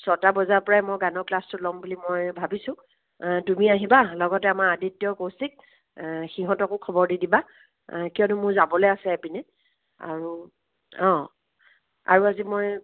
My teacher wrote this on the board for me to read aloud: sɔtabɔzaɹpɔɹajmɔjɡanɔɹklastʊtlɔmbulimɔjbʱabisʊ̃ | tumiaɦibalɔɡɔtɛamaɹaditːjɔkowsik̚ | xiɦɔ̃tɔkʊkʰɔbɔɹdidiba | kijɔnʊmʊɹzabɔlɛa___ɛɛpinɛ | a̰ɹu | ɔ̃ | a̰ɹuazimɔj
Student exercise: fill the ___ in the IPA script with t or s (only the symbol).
s